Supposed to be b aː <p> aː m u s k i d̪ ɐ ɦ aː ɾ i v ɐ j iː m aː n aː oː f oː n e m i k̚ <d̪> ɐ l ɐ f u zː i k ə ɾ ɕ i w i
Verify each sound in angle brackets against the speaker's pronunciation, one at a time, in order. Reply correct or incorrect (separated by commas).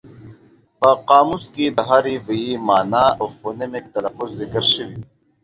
incorrect, incorrect